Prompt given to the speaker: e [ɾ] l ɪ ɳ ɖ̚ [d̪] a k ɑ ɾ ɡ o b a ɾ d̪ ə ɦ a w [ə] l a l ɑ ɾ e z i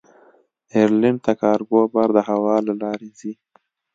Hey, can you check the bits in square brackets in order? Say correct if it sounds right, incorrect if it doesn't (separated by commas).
correct, incorrect, incorrect